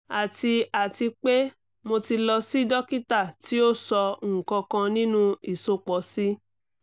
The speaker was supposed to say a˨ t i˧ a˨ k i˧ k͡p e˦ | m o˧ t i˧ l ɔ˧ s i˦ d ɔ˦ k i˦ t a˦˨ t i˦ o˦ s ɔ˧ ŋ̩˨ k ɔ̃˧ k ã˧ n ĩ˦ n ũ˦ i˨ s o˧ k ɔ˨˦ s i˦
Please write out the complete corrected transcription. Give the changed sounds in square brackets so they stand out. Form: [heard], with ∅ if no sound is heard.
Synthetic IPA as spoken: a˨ t i˧ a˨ [t] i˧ k͡p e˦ | m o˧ t i˧ l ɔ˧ s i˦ d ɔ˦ k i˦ t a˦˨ t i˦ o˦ s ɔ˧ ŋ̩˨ k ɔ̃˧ k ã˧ n ĩ˦ n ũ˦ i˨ s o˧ [k͡p] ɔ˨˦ s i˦